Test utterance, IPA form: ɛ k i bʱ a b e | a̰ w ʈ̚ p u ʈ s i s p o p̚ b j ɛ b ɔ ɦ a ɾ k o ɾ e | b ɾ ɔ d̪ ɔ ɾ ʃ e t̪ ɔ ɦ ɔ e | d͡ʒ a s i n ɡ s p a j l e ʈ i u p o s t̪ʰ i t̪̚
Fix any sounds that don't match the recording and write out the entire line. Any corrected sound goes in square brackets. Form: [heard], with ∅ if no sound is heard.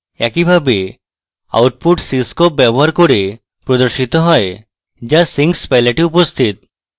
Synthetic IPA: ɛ k i bʱ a b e | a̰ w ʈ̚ p u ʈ s i s [k] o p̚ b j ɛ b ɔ ɦ a ɾ k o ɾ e | [p] ɾ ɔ d̪ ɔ ɾ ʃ [i] t̪ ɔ ɦ ɔ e | d͡ʒ a s i [ŋ] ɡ s p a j l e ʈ i u p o s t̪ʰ i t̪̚